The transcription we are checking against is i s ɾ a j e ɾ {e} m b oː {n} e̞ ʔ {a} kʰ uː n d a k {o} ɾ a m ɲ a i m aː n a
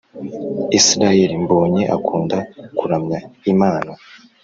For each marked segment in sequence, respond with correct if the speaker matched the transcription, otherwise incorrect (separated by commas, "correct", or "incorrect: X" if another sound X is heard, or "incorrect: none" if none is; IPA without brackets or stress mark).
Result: incorrect: i, incorrect: ɲ, correct, incorrect: u